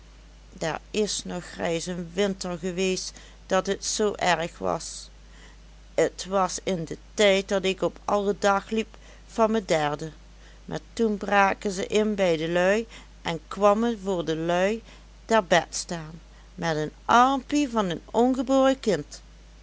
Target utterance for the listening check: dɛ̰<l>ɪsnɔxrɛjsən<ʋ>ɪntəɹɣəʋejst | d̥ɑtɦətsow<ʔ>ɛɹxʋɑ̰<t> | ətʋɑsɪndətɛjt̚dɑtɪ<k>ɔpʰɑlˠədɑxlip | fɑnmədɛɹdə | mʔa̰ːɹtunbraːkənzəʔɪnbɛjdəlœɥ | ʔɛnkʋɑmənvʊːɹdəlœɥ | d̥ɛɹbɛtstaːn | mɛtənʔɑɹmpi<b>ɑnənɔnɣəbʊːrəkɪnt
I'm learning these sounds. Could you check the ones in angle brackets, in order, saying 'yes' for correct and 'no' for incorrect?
no, yes, yes, no, yes, no

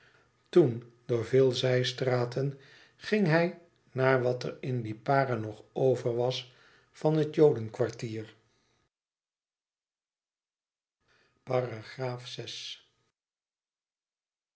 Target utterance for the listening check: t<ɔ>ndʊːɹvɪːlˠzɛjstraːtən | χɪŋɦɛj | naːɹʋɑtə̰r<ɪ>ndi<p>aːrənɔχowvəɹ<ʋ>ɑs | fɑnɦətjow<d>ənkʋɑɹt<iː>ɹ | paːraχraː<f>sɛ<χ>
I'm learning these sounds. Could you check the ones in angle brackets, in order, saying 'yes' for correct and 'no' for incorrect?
no, yes, yes, yes, yes, yes, yes, no

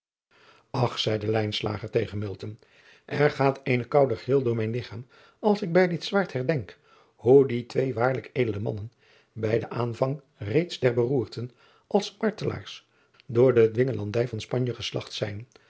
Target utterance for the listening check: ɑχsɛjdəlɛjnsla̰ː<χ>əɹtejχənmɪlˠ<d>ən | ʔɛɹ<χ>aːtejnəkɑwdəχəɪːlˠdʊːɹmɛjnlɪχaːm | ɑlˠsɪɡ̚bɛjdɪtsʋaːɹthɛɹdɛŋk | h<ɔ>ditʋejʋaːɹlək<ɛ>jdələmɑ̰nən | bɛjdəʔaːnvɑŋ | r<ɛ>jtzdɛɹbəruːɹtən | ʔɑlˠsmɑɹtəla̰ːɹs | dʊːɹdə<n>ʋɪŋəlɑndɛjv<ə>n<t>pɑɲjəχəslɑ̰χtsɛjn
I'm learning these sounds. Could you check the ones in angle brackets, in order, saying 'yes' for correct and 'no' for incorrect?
yes, no, yes, no, no, no, no, no, no

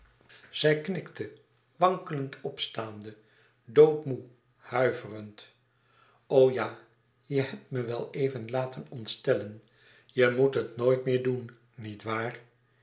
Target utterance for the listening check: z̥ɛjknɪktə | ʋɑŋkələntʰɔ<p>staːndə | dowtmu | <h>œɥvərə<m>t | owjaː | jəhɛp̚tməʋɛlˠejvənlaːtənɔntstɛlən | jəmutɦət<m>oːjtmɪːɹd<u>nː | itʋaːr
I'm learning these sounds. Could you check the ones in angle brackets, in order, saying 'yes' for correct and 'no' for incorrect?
yes, yes, no, no, yes

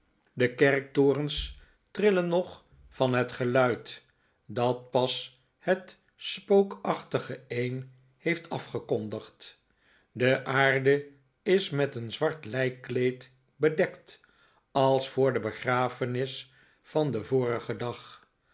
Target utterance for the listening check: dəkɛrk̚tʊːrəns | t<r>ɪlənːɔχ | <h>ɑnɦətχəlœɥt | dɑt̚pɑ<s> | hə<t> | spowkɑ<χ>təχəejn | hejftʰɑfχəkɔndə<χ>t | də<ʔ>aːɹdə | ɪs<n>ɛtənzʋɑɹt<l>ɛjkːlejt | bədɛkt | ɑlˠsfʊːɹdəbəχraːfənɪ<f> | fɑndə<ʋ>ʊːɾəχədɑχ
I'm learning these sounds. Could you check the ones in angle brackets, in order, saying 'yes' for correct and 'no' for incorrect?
yes, no, yes, yes, yes, yes, yes, no, yes, no, no

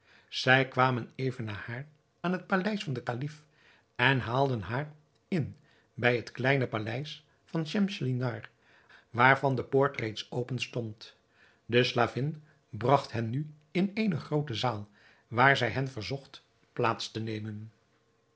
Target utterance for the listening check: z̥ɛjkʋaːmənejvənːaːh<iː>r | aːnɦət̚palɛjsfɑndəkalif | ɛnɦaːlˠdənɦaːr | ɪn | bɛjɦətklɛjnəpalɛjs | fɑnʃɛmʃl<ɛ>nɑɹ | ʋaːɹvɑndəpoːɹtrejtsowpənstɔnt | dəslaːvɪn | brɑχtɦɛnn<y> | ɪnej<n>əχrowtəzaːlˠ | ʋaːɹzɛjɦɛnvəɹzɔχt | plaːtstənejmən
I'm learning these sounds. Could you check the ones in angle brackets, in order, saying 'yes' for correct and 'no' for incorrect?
no, no, yes, yes

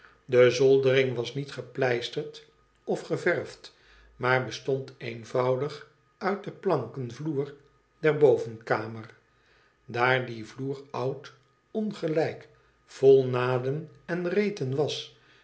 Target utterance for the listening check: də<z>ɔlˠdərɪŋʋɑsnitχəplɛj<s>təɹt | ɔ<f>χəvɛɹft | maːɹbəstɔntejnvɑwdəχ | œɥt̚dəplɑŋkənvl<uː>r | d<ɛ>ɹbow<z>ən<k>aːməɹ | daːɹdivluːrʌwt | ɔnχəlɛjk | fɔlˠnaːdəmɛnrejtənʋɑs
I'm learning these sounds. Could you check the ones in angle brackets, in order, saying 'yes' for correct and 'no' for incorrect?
yes, yes, yes, yes, yes, no, yes

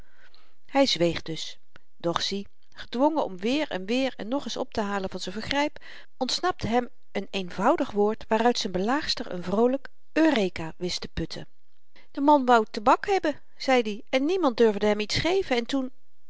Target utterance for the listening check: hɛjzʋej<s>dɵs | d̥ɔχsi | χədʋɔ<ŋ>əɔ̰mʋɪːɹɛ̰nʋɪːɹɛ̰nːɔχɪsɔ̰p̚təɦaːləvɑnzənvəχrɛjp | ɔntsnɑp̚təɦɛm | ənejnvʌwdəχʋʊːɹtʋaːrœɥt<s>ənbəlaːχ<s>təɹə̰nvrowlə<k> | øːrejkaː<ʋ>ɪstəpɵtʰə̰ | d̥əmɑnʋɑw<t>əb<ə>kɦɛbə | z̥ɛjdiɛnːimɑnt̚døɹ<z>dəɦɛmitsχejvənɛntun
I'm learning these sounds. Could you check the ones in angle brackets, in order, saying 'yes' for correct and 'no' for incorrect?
no, yes, yes, yes, yes, yes, yes, no, no

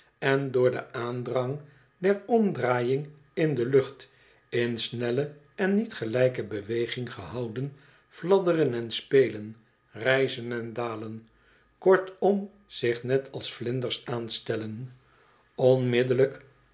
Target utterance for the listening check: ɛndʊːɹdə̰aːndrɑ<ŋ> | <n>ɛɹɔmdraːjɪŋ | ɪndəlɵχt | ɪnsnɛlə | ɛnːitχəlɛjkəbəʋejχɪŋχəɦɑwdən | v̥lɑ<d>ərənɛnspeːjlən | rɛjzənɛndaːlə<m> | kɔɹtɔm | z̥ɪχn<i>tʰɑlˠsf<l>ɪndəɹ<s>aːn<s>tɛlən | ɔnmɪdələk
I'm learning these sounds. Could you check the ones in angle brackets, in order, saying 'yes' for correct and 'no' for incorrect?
yes, no, yes, no, no, yes, yes, yes

